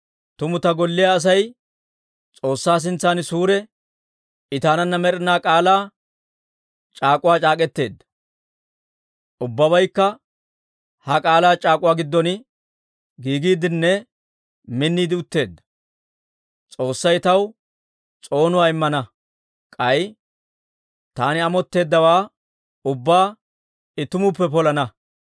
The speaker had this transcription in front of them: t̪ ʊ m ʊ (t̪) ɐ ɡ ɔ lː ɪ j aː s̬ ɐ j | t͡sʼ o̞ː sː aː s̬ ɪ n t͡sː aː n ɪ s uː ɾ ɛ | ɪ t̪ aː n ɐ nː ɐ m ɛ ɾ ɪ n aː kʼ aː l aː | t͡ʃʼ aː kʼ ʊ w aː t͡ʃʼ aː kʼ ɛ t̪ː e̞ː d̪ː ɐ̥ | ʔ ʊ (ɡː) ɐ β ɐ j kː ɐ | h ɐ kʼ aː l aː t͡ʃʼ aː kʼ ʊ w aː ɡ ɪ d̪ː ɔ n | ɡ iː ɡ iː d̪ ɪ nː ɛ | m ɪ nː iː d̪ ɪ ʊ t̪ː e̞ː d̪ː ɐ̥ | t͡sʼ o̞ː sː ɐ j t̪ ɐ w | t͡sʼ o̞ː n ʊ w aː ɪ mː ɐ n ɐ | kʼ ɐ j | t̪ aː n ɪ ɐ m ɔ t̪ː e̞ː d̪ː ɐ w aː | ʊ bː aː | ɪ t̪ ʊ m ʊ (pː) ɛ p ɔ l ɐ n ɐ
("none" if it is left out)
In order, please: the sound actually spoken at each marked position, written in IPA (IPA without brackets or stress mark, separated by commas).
t̪, bː, pː